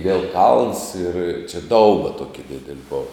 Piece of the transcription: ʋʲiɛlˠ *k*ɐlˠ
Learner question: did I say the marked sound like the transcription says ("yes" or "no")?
yes